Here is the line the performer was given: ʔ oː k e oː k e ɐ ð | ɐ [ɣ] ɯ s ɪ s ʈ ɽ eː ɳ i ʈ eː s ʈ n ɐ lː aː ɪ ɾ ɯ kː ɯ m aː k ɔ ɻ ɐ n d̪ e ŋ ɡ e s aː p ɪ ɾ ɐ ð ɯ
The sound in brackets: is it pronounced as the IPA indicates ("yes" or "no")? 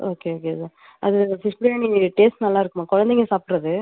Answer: no